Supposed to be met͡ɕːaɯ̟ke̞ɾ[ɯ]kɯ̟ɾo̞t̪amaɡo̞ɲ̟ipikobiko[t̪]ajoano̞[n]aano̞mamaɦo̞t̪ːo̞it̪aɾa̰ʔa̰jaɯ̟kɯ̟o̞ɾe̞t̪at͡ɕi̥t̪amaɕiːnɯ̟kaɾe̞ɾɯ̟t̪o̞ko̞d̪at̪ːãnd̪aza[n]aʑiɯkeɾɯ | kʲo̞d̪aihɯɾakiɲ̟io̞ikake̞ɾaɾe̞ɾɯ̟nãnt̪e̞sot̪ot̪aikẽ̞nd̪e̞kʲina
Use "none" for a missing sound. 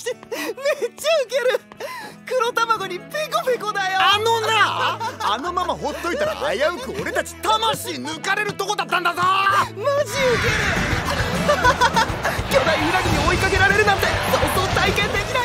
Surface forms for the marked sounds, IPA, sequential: ɯ, d̪, n, m

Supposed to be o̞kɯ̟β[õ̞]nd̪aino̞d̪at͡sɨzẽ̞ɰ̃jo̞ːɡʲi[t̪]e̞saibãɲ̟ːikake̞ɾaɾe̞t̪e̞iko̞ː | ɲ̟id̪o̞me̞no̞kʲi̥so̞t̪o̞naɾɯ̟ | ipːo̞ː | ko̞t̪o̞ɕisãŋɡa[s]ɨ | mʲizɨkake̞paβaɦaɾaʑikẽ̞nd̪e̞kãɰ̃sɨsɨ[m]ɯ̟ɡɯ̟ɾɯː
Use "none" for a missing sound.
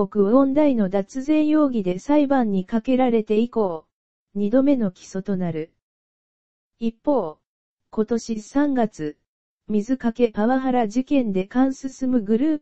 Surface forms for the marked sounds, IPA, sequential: õ̞, d̪, t͡s, m

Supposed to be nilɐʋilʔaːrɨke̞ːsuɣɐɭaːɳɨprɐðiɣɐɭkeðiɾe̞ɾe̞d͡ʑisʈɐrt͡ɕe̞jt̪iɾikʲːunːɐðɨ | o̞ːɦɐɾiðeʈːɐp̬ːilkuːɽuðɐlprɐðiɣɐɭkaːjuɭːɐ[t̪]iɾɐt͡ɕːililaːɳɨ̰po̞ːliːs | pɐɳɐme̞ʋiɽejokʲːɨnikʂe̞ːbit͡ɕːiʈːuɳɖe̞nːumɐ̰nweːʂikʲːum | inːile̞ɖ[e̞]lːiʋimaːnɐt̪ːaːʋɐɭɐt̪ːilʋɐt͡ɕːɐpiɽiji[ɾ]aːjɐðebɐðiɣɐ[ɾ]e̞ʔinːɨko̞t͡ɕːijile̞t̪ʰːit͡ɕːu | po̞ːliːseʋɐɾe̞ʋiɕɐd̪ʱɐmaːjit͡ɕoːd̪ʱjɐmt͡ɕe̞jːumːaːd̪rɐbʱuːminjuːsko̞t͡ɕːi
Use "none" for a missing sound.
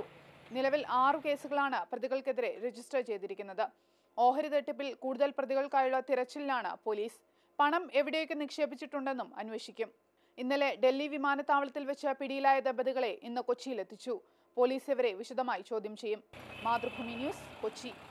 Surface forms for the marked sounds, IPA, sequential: t̪, e̞, l, ɭ

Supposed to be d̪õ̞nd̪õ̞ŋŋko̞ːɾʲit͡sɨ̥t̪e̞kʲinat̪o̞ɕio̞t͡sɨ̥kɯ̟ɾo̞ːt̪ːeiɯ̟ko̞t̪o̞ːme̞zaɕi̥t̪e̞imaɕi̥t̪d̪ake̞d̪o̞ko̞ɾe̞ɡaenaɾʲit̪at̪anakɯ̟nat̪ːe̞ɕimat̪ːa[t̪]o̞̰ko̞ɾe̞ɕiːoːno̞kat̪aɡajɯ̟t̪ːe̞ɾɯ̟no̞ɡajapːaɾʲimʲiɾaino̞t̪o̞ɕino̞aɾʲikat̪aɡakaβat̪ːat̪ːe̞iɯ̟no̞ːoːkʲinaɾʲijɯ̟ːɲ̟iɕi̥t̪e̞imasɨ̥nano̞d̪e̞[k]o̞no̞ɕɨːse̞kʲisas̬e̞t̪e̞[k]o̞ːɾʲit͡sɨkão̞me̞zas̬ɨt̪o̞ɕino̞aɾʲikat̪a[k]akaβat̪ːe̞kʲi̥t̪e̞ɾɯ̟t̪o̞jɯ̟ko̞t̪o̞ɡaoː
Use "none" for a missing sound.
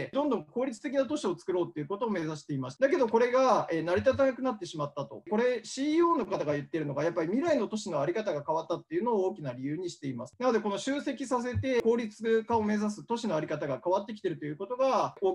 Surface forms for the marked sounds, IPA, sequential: t̪, k, k, ɡ

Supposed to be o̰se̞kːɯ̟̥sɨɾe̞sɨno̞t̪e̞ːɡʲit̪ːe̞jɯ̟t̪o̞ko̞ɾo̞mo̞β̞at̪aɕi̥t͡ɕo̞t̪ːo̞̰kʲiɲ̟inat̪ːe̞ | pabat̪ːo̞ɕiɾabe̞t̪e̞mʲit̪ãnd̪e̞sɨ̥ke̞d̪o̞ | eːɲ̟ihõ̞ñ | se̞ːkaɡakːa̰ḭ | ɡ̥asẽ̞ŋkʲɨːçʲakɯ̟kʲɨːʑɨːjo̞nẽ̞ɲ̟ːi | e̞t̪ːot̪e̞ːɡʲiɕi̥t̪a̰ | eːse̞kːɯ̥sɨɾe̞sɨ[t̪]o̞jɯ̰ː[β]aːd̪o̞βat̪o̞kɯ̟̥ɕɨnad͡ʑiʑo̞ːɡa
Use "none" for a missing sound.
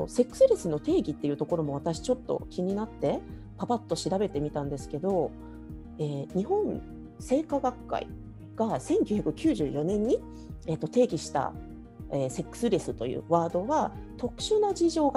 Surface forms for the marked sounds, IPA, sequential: t̪, β

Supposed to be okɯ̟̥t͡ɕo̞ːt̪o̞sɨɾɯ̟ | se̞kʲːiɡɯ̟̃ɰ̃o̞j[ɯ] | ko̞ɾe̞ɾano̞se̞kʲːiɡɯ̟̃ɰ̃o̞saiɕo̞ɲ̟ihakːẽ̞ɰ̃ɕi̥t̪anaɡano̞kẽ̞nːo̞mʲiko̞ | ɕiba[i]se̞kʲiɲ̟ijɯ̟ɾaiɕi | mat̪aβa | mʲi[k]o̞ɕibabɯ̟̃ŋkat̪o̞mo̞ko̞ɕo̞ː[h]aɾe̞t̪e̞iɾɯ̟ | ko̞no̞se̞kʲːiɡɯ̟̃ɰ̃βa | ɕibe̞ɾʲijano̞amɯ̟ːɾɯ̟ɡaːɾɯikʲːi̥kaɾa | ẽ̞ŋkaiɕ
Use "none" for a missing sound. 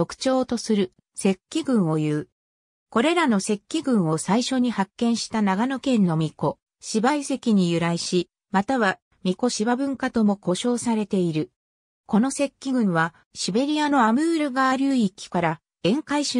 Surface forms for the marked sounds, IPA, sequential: ɯː, i, k, s

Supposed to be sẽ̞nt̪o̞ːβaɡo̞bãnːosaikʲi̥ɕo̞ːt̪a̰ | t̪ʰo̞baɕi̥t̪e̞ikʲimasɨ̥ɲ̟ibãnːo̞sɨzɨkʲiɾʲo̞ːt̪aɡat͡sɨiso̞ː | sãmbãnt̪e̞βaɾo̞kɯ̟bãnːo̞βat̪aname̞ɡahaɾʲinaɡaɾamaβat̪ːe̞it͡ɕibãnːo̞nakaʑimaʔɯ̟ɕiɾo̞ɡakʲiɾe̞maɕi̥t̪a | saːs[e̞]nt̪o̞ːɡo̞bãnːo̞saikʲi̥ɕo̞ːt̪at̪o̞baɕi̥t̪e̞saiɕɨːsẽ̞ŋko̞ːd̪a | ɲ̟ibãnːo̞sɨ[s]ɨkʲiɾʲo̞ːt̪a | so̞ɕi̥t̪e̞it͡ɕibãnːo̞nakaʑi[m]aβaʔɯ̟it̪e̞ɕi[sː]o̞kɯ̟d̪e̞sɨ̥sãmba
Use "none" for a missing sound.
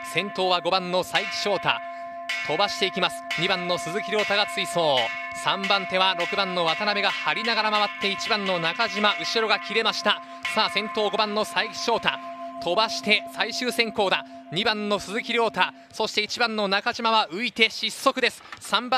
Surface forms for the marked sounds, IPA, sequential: ẽ̞, z, m, sː

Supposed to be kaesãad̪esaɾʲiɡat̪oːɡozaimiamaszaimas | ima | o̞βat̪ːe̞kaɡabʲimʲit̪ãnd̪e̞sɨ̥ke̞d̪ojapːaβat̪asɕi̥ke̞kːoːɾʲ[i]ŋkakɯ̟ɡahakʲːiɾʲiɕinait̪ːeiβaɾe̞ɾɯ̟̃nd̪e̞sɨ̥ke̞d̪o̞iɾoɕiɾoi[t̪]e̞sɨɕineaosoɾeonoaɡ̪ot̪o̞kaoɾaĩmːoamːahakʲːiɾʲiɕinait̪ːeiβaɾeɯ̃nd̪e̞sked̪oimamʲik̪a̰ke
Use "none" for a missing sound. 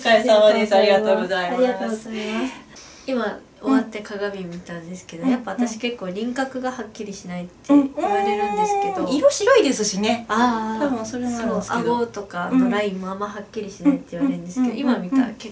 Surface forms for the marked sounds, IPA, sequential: ĩ, d̪

